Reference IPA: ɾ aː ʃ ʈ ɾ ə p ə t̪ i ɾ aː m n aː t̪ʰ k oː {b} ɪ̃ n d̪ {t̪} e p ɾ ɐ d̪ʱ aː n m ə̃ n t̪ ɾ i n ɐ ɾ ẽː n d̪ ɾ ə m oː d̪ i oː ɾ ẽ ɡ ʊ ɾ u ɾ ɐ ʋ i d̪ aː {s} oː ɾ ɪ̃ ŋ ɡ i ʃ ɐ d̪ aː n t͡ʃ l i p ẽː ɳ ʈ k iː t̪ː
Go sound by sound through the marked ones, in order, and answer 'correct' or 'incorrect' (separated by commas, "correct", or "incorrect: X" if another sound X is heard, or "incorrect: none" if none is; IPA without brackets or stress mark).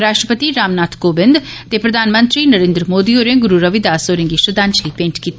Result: correct, correct, correct